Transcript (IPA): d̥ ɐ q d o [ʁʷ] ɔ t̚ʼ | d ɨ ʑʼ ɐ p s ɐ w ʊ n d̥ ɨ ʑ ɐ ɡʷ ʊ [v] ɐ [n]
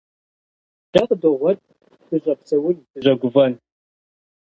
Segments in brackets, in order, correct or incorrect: correct, correct, correct

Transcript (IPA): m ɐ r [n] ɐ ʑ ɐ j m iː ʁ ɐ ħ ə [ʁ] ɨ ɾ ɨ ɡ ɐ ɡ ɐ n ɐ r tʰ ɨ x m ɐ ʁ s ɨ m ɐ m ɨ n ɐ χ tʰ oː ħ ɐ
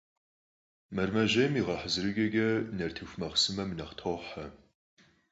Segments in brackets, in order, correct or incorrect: incorrect: m, incorrect: z

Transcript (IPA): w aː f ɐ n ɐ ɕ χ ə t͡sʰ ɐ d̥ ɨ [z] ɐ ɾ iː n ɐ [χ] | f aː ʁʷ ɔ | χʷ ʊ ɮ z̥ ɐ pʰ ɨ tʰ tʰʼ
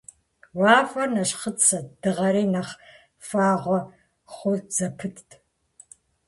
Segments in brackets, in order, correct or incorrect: incorrect: ʁ, correct

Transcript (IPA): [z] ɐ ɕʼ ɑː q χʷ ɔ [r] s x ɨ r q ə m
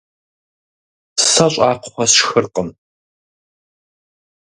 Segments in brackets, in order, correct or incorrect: incorrect: s, incorrect: none

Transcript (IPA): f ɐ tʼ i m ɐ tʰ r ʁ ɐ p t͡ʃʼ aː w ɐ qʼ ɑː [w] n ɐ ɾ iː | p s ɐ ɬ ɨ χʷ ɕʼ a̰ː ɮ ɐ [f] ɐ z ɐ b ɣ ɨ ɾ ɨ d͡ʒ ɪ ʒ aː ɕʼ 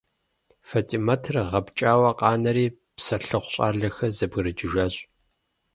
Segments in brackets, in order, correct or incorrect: incorrect: none, incorrect: x

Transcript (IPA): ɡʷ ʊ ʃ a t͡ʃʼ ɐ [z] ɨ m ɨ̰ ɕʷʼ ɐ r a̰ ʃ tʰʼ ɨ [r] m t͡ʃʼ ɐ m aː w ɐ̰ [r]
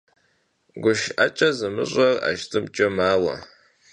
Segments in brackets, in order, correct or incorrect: correct, incorrect: none, incorrect: none

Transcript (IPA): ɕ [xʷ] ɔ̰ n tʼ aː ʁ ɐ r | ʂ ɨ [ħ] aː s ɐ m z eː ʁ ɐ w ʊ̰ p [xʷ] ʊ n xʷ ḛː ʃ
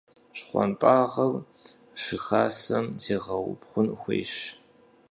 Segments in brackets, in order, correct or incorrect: incorrect: χʷ, incorrect: x, incorrect: χʷ

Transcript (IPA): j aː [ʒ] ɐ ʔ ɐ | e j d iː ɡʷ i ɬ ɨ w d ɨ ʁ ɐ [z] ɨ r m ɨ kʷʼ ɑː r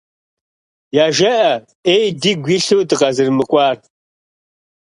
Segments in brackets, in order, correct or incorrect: correct, correct

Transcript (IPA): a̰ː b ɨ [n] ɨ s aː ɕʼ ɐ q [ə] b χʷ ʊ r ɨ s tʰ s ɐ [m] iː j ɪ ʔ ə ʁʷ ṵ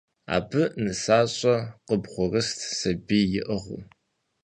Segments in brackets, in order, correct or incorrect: correct, correct, incorrect: b

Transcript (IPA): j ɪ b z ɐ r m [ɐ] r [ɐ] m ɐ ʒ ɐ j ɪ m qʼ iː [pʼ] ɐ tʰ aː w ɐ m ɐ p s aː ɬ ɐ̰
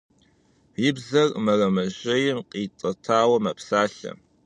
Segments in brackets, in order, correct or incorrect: correct, correct, incorrect: tʼ

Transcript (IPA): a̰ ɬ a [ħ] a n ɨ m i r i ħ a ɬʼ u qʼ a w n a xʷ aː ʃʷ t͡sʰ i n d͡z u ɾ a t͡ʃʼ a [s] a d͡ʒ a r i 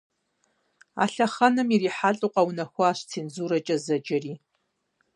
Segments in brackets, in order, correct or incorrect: incorrect: χ, incorrect: z

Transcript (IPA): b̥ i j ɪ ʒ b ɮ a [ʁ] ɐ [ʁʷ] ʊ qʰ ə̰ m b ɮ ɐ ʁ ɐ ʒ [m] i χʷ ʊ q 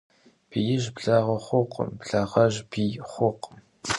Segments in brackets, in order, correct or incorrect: correct, incorrect: χʷ, incorrect: b

